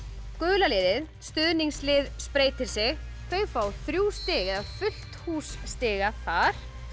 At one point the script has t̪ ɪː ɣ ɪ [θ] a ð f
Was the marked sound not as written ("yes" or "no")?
yes